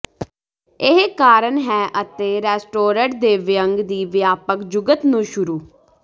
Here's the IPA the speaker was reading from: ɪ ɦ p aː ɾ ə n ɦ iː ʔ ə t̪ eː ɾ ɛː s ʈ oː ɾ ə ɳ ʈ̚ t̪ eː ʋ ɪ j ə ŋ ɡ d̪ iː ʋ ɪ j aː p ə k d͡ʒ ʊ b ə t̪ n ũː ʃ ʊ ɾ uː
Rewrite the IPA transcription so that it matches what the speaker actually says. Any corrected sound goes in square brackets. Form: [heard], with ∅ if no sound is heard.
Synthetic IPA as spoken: ɪ ɦ [k] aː ɾ ə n ɦ [ɛː] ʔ ə t̪ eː ɾ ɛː s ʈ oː ɾ ə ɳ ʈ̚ [d̪] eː ʋ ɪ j ə ŋ ɡ d̪ iː ʋ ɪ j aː p ə k d͡ʒ ʊ [ɡ] ə t̪ n ũː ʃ ʊ ɾ uː